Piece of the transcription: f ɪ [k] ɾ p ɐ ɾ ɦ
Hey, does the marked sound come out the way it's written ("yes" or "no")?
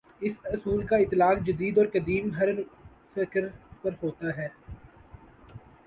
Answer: yes